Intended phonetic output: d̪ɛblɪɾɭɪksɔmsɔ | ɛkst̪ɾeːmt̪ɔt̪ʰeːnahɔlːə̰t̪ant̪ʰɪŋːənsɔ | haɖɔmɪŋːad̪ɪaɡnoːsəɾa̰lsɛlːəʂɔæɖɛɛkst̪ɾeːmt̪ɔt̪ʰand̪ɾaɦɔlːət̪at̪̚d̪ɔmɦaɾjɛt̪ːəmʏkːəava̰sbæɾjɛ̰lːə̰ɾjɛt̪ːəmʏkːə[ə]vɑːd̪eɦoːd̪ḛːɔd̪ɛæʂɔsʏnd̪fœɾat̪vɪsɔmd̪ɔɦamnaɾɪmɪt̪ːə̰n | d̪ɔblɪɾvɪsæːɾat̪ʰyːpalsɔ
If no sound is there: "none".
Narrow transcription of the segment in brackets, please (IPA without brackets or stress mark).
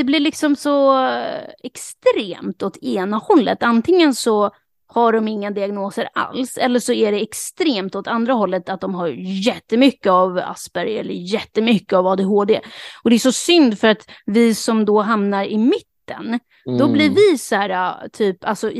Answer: a